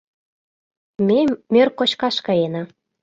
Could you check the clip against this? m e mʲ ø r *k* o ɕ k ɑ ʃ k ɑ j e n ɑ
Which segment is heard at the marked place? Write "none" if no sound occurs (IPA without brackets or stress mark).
k